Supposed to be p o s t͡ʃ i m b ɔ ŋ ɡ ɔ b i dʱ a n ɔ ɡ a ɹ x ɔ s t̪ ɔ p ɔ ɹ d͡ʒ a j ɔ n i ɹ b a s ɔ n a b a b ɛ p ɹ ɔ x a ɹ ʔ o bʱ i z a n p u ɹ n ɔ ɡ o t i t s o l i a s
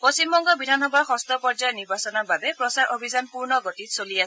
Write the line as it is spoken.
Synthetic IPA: p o s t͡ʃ i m b ɔ ŋ ɡ ɔ b i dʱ a n ɔ b a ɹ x ɔ s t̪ ɔ p ɔ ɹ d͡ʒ a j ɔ n i ɹ b a s ɔ n a b a b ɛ p ɹ ɔ s a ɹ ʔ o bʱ i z a n p u ɹ n ɔ ɡ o t i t s o l i a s